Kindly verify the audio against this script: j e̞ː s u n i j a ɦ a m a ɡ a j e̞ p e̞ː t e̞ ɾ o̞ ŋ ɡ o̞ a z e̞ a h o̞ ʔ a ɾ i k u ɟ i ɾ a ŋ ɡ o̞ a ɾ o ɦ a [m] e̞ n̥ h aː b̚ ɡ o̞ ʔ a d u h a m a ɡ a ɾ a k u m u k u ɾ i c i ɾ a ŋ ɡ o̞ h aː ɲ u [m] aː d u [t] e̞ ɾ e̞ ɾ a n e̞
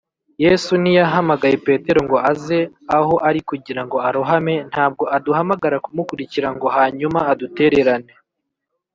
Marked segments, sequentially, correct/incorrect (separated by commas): correct, correct, correct